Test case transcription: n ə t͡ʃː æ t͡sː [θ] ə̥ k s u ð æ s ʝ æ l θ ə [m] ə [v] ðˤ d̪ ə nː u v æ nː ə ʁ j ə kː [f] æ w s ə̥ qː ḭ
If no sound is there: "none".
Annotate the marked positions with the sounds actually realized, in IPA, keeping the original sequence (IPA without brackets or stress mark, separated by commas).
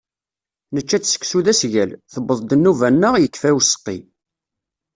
s, b, none, f